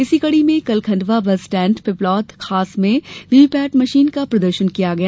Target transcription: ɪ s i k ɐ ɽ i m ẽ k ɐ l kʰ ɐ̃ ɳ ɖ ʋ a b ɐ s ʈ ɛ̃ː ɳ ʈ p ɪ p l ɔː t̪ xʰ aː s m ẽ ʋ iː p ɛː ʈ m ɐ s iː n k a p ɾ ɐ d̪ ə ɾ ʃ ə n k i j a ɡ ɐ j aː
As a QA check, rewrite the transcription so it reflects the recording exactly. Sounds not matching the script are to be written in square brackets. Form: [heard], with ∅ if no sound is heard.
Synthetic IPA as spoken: ɪ s i k ɐ ɽ i m ẽ k ɐ l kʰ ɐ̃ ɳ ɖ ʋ a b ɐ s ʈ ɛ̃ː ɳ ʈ p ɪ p l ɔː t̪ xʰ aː s m ẽ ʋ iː p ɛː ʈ m ɐ [ʃ] iː n k a p ɾ ɐ d̪ ə ɾ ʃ ə n k i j a ɡ ɐ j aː